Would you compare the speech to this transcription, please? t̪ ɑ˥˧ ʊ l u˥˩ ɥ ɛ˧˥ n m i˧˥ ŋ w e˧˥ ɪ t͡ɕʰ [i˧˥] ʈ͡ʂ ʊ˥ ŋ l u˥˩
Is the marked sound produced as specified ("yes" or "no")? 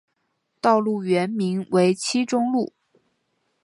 no